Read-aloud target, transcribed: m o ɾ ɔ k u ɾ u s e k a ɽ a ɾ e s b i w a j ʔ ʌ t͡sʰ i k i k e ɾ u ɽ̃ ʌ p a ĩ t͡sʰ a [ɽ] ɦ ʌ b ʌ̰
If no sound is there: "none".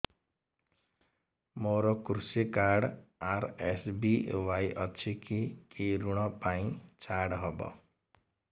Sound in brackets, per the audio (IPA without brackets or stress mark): ɽ